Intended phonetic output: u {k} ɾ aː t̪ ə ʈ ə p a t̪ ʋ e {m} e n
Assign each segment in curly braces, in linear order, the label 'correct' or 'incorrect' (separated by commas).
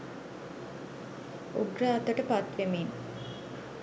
incorrect, correct